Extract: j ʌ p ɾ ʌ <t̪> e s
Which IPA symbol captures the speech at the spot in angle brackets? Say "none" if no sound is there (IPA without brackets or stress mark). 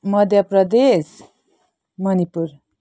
d̪